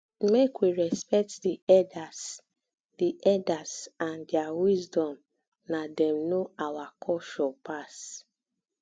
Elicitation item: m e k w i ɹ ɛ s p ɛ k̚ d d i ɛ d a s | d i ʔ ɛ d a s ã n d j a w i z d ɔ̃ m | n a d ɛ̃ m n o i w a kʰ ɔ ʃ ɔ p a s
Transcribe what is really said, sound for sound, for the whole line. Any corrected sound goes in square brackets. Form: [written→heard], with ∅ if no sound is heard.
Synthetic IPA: m e k w i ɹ ɛ s p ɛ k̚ [d→t] d i ɛ d a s | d i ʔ ɛ d a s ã n d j a w i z d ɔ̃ m | n a d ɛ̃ m n o [i→a] w a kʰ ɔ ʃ ɔ p a s